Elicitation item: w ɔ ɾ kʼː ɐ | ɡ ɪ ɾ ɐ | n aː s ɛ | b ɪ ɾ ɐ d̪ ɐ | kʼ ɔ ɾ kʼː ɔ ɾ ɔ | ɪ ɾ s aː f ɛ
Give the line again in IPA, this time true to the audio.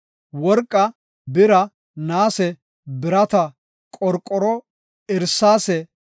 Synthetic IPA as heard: w ɔ ɾ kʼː ɐ | b ɪ ɾ ɐ | n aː s ɛ | b ɪ ɾ ɐ t̪ ɐ | kʼ ɔ ɾ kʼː ɔ ɾ ɔ | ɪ ɾ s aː s ɛ